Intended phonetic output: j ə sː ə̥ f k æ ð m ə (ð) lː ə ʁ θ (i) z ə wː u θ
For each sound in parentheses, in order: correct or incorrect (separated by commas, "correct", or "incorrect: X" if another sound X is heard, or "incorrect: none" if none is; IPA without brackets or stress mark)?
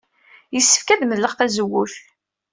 correct, incorrect: æ